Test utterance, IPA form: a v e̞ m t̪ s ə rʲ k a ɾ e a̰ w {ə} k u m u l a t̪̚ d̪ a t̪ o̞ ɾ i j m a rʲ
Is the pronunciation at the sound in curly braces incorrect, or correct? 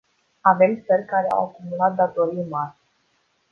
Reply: incorrect: a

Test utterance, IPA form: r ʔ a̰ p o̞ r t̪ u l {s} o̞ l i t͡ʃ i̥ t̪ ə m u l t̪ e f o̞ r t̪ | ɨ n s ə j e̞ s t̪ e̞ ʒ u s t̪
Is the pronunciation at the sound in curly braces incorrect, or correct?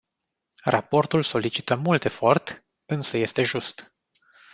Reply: correct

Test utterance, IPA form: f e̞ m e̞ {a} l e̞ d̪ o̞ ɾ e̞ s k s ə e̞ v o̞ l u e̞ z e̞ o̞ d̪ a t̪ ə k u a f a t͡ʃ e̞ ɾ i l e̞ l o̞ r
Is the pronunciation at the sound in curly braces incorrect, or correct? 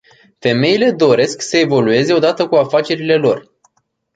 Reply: incorrect: i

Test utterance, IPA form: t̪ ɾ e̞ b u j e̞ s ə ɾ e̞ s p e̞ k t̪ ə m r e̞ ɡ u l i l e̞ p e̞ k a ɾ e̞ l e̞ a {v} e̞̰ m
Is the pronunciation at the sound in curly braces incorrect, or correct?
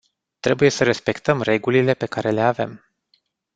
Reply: correct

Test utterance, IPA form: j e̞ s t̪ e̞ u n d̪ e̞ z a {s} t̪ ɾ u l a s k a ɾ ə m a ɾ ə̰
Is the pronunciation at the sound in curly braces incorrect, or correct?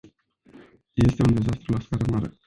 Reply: correct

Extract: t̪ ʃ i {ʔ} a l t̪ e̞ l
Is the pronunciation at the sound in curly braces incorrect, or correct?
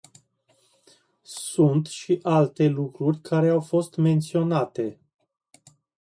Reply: correct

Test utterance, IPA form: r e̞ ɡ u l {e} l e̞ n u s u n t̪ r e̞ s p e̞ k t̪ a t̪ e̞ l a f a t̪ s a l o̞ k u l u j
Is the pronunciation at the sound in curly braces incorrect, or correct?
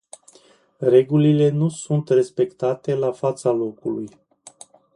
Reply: incorrect: i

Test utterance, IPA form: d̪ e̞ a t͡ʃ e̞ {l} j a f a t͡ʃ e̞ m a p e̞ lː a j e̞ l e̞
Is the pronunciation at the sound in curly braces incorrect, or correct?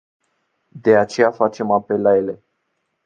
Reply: incorrect: none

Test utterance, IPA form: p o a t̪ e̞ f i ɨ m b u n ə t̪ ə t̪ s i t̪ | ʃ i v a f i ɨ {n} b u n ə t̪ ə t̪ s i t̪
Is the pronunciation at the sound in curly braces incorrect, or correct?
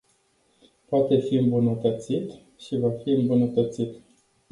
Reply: incorrect: m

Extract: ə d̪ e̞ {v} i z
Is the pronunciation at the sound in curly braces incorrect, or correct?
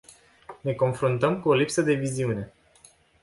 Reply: correct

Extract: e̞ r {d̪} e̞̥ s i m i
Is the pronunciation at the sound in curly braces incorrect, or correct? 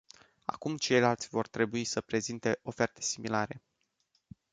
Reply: incorrect: t̪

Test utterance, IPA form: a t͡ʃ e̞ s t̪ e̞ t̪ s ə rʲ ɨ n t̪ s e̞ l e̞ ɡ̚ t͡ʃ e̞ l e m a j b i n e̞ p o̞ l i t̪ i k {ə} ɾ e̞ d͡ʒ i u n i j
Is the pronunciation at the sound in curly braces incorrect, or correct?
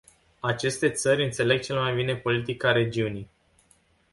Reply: incorrect: a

